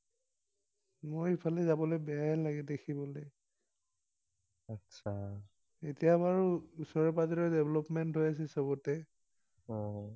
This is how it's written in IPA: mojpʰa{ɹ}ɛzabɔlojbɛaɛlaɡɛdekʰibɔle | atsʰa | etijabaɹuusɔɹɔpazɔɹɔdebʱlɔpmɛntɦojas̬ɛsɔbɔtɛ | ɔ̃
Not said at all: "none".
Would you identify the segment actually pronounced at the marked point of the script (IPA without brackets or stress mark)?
l